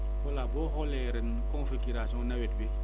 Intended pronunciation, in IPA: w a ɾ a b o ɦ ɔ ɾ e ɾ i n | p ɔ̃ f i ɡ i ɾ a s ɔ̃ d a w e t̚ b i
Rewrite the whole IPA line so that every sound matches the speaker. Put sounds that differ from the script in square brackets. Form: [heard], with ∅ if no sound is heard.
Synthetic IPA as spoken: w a [l] a b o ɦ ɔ [l] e ɾ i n | [k] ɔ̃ f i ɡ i ɾ a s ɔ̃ [n] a w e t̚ b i